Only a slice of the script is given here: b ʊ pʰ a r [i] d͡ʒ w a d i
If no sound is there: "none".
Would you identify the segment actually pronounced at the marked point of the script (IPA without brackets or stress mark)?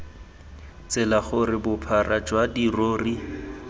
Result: a